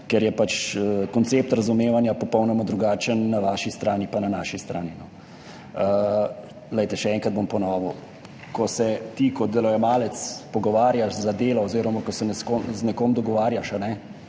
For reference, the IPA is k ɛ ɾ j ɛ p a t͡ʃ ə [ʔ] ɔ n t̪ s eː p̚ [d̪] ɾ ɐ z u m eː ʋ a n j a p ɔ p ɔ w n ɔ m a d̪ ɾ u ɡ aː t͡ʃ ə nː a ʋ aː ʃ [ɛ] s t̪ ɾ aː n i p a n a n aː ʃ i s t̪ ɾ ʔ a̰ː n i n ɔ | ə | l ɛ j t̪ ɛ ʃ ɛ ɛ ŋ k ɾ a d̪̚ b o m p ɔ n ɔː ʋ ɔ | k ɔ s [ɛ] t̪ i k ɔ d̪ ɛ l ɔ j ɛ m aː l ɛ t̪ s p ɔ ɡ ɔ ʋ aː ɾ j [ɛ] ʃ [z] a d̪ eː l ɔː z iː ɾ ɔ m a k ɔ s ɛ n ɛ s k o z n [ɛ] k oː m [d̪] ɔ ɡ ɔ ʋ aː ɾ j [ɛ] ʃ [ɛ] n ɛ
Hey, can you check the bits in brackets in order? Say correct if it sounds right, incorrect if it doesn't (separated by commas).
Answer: incorrect, incorrect, incorrect, correct, incorrect, correct, correct, correct, incorrect, incorrect